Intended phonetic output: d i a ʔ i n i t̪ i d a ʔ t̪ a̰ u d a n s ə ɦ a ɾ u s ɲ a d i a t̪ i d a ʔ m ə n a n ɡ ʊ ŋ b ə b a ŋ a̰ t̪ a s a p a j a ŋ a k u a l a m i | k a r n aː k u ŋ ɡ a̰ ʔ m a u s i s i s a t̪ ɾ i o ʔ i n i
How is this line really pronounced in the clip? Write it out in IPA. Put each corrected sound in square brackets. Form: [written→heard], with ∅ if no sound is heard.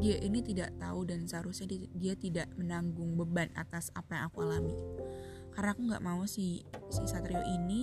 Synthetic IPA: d i a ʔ i n i t̪ i d a ʔ t̪ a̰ u d a n s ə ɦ a ɾ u s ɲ a d i a t̪ i d a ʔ m ə n a [n→ŋ] ɡ ʊ ŋ b ə b a [ŋ→n] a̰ t̪ a s a p a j a ŋ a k u a l a m i | k a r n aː k u ŋ ɡ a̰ ʔ m a u s i s i s a t̪ ɾ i o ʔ i n i